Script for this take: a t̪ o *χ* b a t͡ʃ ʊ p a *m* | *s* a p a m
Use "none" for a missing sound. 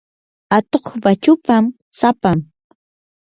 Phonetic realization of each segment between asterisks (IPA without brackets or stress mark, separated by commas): χ, m, s